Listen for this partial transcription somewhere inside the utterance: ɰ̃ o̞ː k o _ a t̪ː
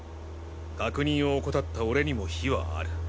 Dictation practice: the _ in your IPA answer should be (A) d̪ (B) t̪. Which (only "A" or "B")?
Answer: B